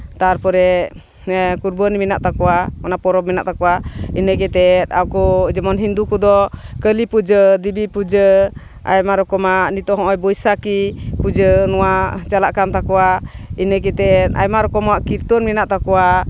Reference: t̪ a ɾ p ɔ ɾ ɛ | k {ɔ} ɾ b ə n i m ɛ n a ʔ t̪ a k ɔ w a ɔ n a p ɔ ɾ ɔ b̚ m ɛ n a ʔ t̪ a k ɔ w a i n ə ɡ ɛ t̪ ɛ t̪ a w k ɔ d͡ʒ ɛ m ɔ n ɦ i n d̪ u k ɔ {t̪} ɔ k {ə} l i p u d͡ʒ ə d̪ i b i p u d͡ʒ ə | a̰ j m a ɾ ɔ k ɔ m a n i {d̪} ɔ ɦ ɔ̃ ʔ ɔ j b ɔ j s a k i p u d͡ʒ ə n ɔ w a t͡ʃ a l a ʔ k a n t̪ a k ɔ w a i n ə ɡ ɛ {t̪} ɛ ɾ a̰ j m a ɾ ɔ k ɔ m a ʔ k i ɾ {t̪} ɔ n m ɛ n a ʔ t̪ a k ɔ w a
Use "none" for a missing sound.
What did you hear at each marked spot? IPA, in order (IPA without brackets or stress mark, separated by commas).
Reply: u, d̪, ə, t̪, t̪, t̪